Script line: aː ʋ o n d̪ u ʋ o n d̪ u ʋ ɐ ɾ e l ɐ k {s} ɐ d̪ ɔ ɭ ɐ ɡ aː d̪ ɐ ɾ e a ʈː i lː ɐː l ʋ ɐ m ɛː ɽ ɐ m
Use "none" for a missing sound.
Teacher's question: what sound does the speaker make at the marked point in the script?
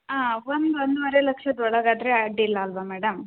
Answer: ʂ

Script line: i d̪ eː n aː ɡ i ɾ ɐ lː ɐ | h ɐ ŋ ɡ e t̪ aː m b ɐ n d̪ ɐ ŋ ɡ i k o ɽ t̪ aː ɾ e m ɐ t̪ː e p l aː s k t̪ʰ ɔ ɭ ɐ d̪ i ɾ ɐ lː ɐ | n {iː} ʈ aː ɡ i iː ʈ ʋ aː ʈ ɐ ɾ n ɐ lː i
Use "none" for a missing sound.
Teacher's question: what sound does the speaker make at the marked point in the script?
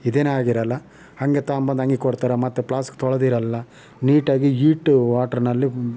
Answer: iː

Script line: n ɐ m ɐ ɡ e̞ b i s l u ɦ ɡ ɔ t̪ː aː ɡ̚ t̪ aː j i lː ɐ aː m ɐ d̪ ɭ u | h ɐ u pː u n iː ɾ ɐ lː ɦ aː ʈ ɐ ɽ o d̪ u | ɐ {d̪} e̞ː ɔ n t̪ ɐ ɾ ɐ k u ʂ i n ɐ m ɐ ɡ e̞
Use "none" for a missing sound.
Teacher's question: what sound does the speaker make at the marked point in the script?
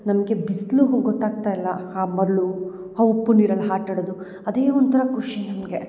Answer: d̪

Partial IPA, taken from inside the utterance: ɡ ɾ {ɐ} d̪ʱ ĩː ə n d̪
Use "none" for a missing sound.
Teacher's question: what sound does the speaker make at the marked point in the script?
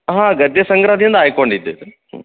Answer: a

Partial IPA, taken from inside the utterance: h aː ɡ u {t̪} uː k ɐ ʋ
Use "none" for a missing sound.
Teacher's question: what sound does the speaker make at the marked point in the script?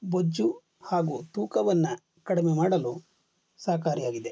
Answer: t̪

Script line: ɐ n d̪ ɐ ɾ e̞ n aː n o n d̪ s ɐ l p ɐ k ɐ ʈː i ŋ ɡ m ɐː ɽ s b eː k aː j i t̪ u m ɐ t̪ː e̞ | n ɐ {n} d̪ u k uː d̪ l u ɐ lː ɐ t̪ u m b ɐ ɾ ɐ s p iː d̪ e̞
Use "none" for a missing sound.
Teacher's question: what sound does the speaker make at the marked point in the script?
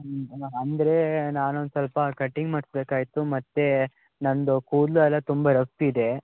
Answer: n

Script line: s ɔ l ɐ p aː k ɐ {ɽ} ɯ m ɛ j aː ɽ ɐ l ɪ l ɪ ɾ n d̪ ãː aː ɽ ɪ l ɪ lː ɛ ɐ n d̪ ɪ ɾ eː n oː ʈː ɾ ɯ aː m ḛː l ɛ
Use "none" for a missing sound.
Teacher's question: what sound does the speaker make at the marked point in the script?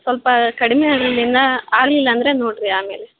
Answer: ɽ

